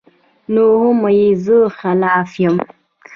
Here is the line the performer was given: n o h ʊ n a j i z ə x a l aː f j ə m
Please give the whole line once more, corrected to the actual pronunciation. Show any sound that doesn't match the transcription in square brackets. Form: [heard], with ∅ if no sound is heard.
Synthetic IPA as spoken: n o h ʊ [m] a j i z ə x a l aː f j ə m